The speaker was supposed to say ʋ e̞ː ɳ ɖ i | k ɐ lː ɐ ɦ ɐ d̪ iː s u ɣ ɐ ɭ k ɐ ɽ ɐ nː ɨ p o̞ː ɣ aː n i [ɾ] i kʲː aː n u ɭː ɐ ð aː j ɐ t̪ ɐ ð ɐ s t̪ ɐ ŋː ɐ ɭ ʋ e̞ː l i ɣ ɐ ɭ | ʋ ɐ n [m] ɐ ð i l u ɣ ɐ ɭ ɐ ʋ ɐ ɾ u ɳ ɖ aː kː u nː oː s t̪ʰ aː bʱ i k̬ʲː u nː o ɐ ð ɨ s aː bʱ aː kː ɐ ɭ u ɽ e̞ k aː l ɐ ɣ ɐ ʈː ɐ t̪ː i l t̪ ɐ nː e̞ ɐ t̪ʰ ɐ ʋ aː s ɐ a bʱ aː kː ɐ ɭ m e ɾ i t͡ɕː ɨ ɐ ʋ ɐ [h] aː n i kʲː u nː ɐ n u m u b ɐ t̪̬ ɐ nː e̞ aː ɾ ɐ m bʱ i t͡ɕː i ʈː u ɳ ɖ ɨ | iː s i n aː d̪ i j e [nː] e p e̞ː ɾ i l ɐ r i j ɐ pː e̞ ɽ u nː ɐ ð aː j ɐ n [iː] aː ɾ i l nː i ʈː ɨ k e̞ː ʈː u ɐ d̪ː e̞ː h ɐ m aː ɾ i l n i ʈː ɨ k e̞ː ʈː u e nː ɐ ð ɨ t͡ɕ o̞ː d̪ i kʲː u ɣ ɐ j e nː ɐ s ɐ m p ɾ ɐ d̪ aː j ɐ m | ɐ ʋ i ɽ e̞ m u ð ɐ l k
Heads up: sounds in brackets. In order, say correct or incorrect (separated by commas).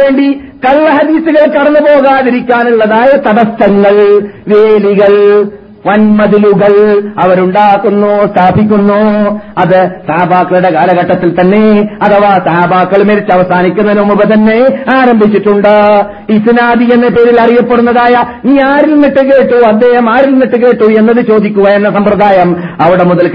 correct, correct, incorrect, correct, correct